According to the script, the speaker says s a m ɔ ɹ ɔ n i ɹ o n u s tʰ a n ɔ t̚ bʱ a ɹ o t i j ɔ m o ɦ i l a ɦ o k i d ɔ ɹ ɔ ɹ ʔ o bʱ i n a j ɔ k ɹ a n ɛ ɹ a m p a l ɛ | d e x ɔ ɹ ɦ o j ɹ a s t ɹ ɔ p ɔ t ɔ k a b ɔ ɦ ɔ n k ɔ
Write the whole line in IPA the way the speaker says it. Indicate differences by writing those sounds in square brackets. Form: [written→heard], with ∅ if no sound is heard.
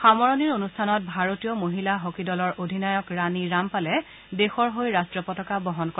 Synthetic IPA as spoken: [s→x] a m ɔ ɹ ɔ n i ɹ o n u s tʰ a n ɔ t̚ bʱ a ɹ o t i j ɔ m o ɦ i l a ɦ o k i d ɔ [ɹ→l] ɔ ɹ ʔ o [bʱ→dʱ] i n a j ɔ k ɹ a n [ɛ→i] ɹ a m p a l ɛ | d e x ɔ ɹ ɦ o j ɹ a s t ɹ ɔ p ɔ t ɔ k a b ɔ ɦ ɔ n k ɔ